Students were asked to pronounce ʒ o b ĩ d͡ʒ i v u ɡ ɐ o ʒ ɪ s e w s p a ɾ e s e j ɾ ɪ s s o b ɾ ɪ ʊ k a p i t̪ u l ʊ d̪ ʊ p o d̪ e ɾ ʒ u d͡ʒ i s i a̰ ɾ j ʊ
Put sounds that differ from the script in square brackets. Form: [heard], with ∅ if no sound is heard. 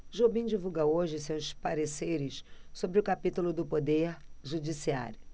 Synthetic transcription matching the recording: ʒ o b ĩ d͡ʒ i v u ɡ ɐ o ʒ ɪ s e w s p a ɾ e s e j ɾ ɪ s s o b ɾ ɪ ʊ k a p i t̪ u l ʊ d̪ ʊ p o d̪ e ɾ ʒ u d͡ʒ i s i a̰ ɾ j ʊ

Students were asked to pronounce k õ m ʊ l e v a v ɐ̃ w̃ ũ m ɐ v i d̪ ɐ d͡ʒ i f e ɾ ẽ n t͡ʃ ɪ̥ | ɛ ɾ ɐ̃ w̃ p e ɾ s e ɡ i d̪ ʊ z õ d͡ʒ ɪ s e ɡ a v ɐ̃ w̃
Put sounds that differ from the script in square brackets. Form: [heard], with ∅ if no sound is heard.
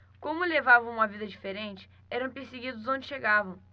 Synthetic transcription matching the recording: k õ m ʊ l e v a v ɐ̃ w̃ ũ m ɐ v i d̪ ɐ d͡ʒ i f e ɾ ẽ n t͡ʃ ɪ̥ | ɛ ɾ ɐ̃ w̃ p e ɾ s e ɡ i d̪ ʊ z õ d͡ʒ ɪ [ʃ] e ɡ a v ɐ̃ w̃

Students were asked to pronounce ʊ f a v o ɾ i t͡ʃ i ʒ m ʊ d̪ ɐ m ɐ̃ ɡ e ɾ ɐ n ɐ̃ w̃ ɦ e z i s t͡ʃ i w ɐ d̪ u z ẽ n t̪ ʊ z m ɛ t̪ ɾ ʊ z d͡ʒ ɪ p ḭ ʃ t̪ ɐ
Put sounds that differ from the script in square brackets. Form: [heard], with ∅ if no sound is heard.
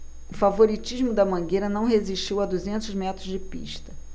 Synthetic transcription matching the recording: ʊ f a v o ɾ i t͡ʃ i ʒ m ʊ d̪ ɐ m ɐ̃ ɡ e ɾ ɐ n ɐ̃ w̃ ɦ e z i [ʃ] t͡ʃ i w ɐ d̪ u z ẽ n t̪ ʊ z m ɛ t̪ ɾ ʊ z d͡ʒ ɪ p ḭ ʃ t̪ ɐ

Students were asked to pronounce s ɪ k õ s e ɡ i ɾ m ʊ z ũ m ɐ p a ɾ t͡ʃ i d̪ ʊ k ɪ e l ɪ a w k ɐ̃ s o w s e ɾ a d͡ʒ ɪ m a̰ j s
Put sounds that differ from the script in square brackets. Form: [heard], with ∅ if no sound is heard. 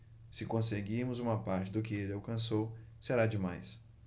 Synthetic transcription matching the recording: s ɪ k õ s e ɡ i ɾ m ʊ z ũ m ɐ p a ɾ t͡ʃ [ɪ] d̪ ʊ k ɪ e l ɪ a w k ɐ̃ s o w s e ɾ a d͡ʒ ɪ m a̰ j s

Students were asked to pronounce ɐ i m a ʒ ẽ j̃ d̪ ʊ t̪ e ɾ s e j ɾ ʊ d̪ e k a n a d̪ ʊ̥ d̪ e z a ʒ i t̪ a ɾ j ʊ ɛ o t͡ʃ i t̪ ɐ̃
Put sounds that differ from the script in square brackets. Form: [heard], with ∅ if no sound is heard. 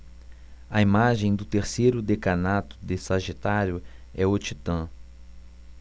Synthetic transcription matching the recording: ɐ i m a ʒ ẽ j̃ d̪ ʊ t̪ e ɾ s e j ɾ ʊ d̪ e k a n a [t̪] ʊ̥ d̪ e [s] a ʒ i t̪ a ɾ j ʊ ɛ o t͡ʃ i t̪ ɐ̃

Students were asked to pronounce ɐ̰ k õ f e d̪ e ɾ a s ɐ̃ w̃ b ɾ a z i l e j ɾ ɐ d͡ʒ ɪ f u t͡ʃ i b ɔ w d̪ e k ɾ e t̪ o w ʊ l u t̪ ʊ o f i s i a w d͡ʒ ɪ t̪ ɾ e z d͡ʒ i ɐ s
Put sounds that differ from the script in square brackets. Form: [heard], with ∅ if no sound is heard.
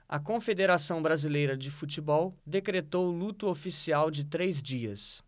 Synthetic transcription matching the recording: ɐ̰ k õ f e d̪ e ɾ a s ɐ̃ w̃ b ɾ a z i l e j ɾ ɐ d͡ʒ ɪ f u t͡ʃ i b ɔ w d̪ e k ɾ e t̪ o w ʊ l u t̪ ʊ o f i s i a w d͡ʒ ɪ t̪ ɾ e z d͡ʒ i ɐ s

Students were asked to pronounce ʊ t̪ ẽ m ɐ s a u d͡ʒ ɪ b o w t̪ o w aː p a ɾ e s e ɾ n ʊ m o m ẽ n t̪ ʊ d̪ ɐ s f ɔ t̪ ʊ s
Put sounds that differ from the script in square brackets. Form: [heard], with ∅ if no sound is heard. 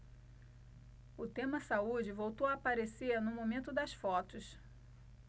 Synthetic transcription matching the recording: ʊ t̪ ẽ m ɐ s a u d͡ʒ ɪ [v] o w t̪ o w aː p a ɾ e s e ɾ n ʊ m o m ẽ n t̪ ʊ d̪ ɐ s f ɔ t̪ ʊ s

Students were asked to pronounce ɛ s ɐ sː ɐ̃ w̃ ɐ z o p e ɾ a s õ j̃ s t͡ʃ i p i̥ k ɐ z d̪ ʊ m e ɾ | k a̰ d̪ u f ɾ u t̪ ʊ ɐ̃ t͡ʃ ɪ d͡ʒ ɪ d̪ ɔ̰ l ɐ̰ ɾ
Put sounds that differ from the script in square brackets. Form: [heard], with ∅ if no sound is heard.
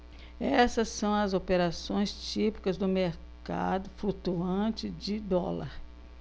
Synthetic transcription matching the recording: ɛ s ɐ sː ɐ̃ w̃ ɐ z o p e ɾ a s õ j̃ s t͡ʃ i p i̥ k ɐ z d̪ ʊ m e ɾ | k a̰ d̪ [ʊ] f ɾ u t̪ [u] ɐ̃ t͡ʃ ɪ d͡ʒ ɪ d̪ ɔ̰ l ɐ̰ ɾ

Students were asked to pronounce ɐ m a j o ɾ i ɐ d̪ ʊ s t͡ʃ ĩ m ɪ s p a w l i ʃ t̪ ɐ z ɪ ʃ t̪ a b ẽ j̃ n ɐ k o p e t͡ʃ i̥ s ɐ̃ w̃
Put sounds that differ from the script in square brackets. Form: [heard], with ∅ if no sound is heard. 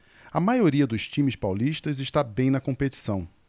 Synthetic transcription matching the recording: ɐ m a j o ɾ i ɐ d̪ ʊ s t͡ʃ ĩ m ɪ s p a w l i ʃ t̪ ɐ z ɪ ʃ t̪ a b ẽ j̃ n ɐ k [õ] p e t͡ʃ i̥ s ɐ̃ w̃

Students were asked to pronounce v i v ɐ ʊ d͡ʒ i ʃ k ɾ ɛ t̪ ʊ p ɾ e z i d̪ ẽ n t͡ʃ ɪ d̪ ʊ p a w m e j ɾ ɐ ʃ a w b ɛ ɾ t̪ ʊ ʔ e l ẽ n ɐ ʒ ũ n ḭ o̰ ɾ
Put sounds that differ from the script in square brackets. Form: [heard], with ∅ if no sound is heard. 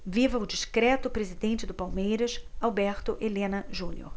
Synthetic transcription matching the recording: v i v ɐ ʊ d͡ʒ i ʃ k ɾ ɛ t̪ ʊ p ɾ e z i d̪ ẽ n t͡ʃ ɪ d̪ ʊ p a w m e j ɾ ɐ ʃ a w b ɛ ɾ t̪ ʊ ʔ e l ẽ n ɐ ʒ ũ n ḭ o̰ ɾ

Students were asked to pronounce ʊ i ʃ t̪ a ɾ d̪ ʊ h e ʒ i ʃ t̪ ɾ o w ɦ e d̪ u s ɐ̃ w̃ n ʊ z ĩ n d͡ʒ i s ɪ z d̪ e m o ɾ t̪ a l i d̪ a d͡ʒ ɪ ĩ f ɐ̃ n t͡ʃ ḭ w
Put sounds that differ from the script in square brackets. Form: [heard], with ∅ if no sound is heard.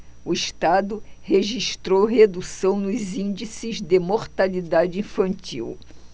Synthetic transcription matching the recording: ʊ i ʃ t̪ a [∅] d̪ ʊ h e ʒ i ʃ t̪ ɾ o w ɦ e d̪ u s ɐ̃ w̃ n ʊ z ĩ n d͡ʒ i s ɪ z d̪ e m o ɾ t̪ a l i d̪ a d͡ʒ ɪ ĩ f ɐ̃ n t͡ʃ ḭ w

